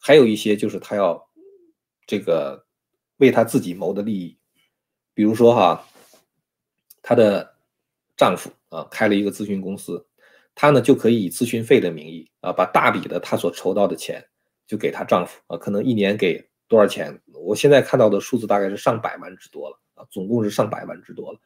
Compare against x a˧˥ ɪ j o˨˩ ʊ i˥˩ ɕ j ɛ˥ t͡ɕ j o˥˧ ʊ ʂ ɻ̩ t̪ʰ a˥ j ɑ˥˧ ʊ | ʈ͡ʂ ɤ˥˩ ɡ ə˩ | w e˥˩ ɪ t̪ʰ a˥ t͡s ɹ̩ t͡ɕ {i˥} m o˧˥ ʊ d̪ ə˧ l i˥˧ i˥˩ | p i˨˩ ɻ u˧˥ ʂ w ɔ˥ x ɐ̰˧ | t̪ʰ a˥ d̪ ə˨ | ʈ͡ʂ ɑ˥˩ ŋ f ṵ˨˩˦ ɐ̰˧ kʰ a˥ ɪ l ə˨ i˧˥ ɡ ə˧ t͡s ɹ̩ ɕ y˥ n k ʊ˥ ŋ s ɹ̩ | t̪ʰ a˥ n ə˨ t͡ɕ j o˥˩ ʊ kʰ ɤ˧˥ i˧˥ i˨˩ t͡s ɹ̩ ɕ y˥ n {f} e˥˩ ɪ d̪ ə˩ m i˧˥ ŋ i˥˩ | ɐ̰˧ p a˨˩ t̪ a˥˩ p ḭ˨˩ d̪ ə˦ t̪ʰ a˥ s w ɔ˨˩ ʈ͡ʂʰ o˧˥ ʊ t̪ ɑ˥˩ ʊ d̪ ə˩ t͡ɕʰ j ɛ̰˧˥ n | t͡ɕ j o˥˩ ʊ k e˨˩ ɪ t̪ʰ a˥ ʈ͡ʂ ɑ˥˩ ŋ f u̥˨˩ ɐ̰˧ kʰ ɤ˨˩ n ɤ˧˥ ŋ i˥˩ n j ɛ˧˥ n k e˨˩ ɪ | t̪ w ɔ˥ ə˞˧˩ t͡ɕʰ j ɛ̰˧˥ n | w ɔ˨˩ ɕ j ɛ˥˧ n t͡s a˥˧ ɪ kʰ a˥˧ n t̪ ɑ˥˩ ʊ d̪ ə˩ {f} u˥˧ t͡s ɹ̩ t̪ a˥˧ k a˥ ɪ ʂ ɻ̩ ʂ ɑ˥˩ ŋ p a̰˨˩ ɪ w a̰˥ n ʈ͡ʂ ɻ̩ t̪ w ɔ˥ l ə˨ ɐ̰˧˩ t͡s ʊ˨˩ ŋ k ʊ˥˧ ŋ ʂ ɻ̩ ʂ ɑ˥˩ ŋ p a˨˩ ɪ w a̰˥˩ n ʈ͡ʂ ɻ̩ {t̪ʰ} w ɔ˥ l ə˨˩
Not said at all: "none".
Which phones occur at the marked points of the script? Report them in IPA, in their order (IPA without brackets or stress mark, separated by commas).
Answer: i˨˩, f, ʂ, t̪